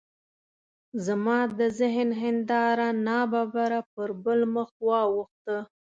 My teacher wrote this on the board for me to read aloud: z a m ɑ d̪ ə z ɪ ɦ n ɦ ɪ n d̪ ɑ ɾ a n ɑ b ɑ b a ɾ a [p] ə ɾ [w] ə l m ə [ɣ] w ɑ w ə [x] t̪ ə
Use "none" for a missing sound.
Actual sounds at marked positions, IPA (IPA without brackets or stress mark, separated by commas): p, b, x, x